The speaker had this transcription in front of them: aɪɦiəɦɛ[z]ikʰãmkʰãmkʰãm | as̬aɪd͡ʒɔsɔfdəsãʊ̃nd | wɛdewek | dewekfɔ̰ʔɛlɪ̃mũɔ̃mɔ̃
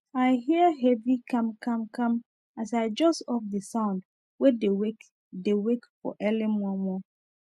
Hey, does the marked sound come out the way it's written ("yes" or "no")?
no